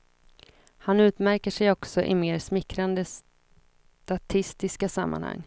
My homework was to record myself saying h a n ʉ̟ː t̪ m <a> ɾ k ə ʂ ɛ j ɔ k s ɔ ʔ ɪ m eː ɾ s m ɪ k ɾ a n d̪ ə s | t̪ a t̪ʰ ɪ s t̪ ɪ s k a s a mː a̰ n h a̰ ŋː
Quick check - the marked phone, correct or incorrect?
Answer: incorrect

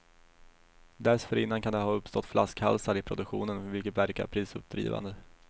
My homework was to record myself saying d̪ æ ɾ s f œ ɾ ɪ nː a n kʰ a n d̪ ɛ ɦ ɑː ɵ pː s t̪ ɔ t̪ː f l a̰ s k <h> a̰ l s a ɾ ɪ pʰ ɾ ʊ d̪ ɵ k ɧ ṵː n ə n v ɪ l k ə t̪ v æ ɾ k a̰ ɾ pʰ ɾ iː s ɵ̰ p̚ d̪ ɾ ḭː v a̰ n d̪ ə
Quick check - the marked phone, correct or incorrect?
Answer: correct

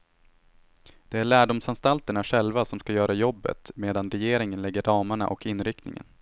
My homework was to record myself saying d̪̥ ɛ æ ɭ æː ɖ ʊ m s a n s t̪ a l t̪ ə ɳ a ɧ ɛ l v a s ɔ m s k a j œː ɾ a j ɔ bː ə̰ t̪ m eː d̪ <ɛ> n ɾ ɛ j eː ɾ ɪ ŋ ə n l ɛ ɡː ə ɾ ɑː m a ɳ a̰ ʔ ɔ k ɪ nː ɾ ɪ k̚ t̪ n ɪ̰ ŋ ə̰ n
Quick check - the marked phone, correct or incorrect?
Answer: incorrect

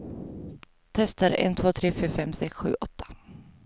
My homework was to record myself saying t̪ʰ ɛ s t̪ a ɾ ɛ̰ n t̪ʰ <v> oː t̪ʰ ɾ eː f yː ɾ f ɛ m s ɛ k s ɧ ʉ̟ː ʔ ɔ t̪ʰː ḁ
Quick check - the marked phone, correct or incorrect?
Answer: correct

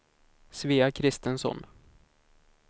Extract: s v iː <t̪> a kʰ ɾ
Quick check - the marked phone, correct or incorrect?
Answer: incorrect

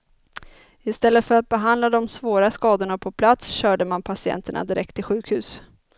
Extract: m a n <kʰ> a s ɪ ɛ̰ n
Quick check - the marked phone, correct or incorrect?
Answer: incorrect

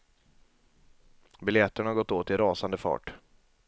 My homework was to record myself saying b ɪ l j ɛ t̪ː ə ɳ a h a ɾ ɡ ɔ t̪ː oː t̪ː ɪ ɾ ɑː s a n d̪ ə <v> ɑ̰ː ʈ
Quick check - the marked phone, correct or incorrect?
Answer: incorrect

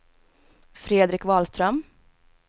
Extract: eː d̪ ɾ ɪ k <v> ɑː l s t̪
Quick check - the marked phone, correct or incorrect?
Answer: correct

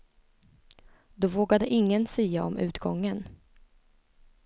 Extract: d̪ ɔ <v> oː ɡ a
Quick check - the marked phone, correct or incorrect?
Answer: correct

